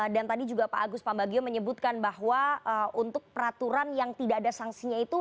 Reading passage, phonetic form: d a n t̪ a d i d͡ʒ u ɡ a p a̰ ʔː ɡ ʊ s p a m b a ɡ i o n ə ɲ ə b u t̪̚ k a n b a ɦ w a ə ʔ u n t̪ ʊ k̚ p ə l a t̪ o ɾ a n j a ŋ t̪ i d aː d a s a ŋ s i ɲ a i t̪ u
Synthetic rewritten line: d a n t̪ a d i d͡ʒ u ɡ a p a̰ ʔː ɡ ʊ s p a m b a ɡ i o m ə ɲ ə b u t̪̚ k a n b a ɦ w a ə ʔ u n t̪ ʊ k̚ p ə ɾ a t̪ u ɾ a n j a ŋ t̪ i d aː d a s a ŋ s i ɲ a i t̪ u